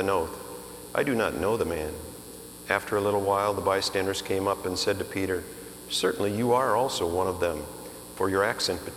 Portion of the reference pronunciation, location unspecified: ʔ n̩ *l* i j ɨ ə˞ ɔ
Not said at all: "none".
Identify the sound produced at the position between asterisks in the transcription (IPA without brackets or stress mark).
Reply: l